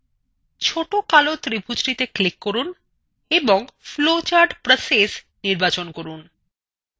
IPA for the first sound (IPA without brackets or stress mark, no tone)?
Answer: t͡ɕʰ